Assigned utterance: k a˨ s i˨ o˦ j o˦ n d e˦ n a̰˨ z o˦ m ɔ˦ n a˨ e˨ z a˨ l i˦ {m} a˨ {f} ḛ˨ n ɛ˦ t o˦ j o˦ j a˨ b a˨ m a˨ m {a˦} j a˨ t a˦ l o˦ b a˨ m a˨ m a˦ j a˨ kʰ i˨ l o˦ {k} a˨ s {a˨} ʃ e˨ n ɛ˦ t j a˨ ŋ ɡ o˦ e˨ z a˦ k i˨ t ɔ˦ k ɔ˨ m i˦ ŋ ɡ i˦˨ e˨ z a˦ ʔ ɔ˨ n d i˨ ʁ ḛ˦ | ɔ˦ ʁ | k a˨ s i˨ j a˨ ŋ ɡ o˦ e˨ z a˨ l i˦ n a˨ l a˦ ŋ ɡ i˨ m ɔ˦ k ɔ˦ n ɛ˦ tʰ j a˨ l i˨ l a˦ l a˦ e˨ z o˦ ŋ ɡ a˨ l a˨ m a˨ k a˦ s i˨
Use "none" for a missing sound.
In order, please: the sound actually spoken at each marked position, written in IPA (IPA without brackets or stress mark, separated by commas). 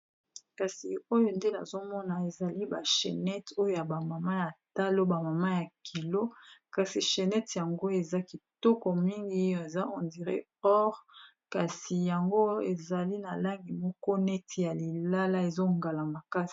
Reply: b, ʃ, a˦, k, i˨